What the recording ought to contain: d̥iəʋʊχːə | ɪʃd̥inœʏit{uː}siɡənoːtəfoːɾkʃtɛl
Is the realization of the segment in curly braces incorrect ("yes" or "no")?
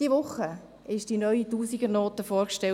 no